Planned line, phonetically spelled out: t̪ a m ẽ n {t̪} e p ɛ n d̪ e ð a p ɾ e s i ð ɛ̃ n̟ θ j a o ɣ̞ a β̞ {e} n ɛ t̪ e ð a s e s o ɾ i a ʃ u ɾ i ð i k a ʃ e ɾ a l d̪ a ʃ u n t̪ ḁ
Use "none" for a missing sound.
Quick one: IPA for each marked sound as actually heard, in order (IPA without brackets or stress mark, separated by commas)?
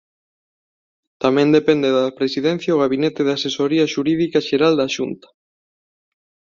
d̪, i